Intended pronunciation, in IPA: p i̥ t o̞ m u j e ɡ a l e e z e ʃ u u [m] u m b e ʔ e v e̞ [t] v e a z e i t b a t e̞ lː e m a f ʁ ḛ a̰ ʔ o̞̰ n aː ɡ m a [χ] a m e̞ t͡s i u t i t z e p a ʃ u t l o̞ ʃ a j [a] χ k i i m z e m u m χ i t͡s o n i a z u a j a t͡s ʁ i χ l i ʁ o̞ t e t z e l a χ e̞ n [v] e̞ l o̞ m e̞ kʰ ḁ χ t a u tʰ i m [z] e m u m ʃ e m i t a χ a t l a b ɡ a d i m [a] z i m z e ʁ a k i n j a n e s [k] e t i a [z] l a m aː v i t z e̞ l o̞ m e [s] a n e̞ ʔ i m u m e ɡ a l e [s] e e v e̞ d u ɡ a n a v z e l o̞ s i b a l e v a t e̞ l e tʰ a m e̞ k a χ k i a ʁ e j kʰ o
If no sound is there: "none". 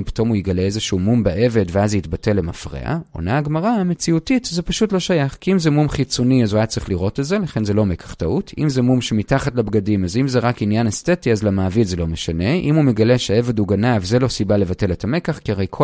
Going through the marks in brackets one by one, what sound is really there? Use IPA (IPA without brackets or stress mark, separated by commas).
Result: m, d, ʁ, a, z, z, a, t, z, ʃ, ʃ